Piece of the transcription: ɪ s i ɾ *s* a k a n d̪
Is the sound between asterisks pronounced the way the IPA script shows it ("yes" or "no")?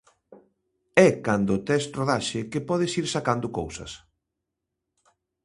yes